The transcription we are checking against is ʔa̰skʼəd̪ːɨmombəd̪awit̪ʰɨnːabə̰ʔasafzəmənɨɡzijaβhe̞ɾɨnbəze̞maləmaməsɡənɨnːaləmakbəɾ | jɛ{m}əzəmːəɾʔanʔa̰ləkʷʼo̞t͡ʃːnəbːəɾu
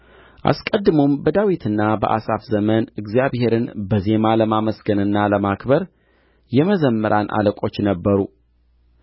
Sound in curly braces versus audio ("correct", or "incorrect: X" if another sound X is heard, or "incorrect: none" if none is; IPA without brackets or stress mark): correct